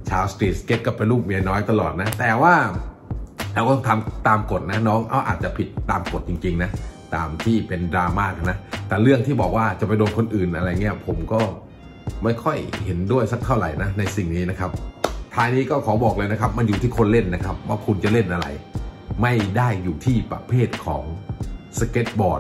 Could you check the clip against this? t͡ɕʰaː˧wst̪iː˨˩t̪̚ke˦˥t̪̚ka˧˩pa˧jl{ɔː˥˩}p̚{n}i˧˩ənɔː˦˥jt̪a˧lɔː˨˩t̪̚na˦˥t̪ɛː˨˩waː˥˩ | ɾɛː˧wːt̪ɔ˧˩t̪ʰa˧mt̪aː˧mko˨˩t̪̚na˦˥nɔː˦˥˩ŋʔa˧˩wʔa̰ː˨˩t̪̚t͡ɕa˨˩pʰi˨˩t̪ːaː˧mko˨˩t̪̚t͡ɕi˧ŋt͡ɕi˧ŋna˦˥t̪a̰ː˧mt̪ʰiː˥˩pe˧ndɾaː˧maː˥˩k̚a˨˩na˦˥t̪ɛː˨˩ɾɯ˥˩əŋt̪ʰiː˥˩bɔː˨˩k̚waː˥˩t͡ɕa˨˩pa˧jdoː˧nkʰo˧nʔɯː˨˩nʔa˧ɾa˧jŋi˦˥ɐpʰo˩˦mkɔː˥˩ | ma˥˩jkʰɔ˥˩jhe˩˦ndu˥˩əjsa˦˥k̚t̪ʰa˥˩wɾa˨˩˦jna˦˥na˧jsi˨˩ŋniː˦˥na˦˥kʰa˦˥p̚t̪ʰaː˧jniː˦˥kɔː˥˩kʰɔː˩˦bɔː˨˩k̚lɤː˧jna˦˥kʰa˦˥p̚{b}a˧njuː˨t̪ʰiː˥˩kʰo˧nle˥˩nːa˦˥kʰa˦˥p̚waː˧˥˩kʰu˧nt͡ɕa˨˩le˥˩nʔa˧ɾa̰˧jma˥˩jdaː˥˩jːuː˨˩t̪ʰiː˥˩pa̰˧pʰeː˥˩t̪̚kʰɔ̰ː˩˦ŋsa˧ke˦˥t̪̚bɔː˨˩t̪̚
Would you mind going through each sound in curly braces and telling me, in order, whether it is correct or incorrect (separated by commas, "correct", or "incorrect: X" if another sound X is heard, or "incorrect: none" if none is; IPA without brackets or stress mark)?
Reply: incorrect: uː˥˩, incorrect: m, incorrect: m